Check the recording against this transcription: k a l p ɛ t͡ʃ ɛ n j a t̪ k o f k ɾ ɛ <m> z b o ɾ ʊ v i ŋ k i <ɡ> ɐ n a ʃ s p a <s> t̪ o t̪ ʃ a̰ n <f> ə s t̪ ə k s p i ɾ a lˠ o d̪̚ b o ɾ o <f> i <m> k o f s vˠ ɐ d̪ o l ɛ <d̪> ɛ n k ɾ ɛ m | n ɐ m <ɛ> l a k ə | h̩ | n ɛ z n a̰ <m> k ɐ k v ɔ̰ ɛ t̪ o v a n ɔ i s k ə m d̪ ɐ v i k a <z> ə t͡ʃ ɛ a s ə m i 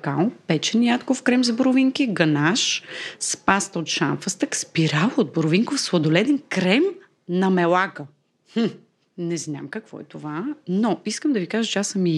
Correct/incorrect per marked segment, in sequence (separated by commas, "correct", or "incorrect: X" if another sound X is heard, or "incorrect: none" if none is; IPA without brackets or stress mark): correct, correct, correct, correct, incorrect: v, incorrect: ŋ, correct, correct, correct, incorrect: ʒ